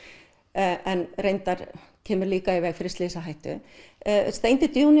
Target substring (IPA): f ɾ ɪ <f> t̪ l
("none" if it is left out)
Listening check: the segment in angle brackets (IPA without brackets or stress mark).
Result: s